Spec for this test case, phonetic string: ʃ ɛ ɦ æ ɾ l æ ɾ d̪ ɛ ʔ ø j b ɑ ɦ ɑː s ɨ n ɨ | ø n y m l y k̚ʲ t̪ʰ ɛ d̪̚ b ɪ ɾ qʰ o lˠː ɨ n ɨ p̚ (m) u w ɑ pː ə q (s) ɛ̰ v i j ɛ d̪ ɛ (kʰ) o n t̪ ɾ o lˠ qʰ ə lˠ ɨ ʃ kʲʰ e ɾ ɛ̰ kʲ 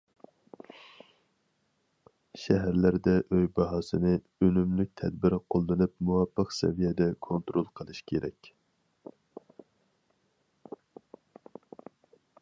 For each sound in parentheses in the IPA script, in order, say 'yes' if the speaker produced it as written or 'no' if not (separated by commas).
yes, yes, yes